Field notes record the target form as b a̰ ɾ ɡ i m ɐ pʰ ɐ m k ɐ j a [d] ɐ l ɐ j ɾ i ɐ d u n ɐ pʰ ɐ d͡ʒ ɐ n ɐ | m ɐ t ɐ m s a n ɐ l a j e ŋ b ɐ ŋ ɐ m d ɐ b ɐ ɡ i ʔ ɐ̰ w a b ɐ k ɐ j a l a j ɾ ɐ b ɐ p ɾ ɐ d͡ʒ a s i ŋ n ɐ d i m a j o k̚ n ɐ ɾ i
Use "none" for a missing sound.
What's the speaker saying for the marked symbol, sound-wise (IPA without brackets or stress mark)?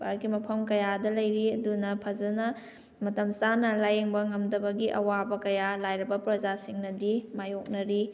d